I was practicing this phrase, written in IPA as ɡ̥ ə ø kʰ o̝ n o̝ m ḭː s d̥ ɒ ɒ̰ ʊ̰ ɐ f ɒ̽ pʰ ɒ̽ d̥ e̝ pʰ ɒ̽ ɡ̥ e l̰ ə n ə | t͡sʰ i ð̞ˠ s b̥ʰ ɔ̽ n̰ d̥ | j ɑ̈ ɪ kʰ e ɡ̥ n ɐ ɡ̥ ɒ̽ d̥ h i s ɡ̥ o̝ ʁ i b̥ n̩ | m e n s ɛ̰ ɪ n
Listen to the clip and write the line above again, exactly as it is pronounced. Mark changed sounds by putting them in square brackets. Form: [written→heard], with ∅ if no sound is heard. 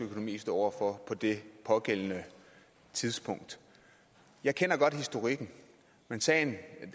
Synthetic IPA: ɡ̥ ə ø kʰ o̝ n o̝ m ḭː s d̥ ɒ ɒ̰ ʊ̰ ɐ f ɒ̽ pʰ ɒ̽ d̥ e̝ pʰ ɒ̽ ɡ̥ e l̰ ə n ə | t͡sʰ i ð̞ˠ s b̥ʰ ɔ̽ [n̰→ŋ̰] d̥ | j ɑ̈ ɪ kʰ e [ɡ̥→∅] n ɐ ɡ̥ ɒ̽ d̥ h i s [ɡ̥→d̥] o̝ ʁ i [b̥→ɡ̥] n̩ | m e n s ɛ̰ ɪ n